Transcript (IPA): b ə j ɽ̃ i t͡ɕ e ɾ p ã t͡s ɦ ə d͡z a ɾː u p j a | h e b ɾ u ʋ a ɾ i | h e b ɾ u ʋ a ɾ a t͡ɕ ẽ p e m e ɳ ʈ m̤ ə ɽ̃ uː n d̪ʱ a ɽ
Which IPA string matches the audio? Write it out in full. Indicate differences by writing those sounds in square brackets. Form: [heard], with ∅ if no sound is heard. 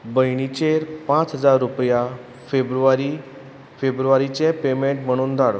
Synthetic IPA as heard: b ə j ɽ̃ i t͡ɕ e ɾ p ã t͡s ɦ ə d͡z a ɾː u p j a | [f] e b ɾ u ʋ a ɾ i | [f] e b ɾ u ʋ a ɾ [i] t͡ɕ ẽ p e m e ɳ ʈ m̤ ə ɽ̃ uː n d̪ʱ a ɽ